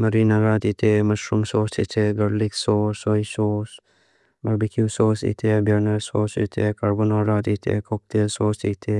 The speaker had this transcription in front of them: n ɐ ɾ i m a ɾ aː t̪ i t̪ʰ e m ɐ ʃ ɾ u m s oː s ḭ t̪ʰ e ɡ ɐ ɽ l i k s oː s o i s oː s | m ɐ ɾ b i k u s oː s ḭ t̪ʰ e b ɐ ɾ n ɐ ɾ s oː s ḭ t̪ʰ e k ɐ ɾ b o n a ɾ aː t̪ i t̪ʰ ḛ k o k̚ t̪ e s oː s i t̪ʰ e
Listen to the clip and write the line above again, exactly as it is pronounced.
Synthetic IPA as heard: m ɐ ɾ i n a ɾ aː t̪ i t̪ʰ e m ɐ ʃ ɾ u m s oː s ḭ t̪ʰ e ɡ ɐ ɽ l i k s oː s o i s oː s | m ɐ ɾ b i k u s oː s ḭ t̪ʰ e b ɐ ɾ n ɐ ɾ s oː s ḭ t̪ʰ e k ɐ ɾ b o n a ɾ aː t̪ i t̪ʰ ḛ k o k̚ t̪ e s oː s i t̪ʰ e